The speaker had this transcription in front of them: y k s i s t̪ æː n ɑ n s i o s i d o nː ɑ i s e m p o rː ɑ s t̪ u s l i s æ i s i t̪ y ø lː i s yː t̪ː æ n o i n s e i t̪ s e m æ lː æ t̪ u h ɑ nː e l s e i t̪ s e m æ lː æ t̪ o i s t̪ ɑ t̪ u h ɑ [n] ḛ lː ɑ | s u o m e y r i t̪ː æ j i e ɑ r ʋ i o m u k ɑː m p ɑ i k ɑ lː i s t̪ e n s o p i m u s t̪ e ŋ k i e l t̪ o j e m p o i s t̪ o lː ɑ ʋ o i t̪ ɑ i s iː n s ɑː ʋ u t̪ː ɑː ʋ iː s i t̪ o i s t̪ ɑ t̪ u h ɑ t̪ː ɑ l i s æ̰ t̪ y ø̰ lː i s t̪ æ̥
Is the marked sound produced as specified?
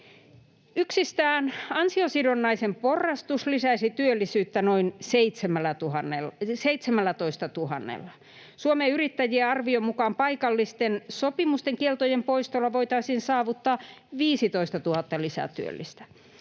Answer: no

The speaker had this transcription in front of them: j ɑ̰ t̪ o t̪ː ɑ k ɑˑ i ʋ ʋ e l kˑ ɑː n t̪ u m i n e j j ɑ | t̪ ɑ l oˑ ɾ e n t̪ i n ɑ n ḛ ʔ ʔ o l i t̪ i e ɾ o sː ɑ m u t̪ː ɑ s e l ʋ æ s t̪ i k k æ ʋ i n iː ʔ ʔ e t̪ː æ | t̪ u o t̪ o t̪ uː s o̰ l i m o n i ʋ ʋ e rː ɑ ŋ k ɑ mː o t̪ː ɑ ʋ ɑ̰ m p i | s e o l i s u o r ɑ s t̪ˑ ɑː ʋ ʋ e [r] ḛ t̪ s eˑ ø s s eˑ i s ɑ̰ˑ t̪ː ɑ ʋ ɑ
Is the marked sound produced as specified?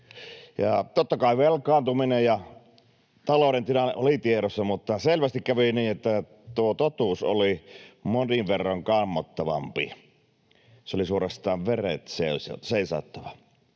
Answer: yes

